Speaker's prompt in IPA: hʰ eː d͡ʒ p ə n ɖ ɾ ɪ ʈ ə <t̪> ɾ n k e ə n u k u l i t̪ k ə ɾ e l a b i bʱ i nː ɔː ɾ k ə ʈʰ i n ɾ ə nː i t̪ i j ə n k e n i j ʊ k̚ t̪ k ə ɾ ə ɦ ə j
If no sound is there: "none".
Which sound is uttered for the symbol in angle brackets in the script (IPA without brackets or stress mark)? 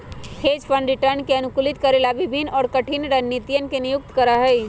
none